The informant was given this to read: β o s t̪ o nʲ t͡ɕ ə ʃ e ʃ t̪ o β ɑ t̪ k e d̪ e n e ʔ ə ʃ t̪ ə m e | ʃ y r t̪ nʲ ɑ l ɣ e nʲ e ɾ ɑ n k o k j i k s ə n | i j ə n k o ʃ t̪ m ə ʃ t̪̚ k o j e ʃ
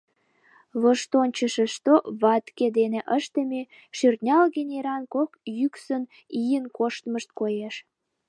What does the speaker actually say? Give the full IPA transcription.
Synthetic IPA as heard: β o ʃ t̪ o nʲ t͡ɕ ə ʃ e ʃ t̪ o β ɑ t̪ k e d̪ e n e ʔ ə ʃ t̪ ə m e | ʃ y r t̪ nʲ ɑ l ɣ e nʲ e ɾ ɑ n k o k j y k s ə n | i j ə n k o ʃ t̪ m ə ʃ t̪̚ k o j e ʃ